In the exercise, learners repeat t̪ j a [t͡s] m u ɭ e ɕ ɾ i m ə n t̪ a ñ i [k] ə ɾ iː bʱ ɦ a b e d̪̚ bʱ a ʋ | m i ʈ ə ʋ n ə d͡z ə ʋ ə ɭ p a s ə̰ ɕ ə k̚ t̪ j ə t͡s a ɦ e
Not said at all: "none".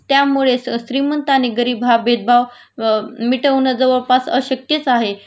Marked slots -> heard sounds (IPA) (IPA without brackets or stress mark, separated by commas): none, ɡ